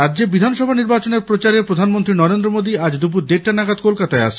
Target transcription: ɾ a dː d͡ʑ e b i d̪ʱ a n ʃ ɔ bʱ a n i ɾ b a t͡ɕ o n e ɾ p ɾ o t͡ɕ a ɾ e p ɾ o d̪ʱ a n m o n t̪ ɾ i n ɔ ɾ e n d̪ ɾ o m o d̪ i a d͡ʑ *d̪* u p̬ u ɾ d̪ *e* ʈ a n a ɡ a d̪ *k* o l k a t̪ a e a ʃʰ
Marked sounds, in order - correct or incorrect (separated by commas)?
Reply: correct, correct, correct